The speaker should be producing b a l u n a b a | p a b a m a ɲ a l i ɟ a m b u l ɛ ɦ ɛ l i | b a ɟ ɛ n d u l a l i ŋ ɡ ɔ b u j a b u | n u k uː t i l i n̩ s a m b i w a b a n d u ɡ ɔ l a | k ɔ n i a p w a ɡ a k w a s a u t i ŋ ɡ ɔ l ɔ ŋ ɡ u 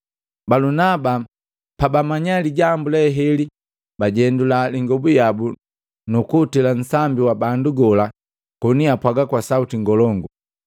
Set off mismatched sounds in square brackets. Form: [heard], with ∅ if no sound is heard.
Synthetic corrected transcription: b a l u n a b a | p a b a m a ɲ a l i ɟ a m b u l ɛ ɦ ɛ l i | b a ɟ ɛ n d u l a l i ŋ ɡ ɔ b u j a b u | n u k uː t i l [a] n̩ s a m b i w a b a n d u ɡ ɔ l a | k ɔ n i a p w a ɡ a k w a s a u t i ŋ ɡ ɔ l ɔ ŋ ɡ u